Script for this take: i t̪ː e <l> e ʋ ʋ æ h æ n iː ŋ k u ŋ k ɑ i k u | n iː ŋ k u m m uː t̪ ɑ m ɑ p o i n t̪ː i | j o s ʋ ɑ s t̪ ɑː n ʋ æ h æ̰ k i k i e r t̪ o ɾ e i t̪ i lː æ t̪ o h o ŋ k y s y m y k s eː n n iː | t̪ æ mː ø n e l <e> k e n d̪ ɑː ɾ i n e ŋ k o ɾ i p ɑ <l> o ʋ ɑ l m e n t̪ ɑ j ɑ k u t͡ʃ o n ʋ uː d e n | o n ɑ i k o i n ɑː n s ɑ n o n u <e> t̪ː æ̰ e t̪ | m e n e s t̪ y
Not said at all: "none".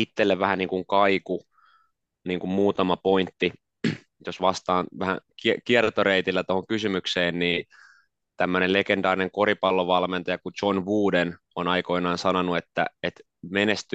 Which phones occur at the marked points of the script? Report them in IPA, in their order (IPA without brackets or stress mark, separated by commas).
lː, e, lː, e